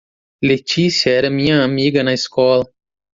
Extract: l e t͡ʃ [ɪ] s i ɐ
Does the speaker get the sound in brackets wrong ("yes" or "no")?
yes